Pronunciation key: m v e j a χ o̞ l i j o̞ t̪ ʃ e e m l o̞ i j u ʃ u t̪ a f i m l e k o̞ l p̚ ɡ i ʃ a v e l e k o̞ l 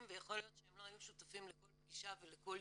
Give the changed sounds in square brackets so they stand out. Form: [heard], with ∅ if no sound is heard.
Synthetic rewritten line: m v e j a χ o̞ l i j o̞ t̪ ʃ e e m l o̞ [a] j u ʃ u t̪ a f i m l e k o̞ l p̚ ɡ i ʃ a v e l e k o̞ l